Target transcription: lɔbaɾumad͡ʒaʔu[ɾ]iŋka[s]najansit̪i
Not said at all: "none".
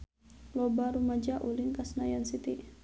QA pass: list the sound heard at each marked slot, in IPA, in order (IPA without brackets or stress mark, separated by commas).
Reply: l, s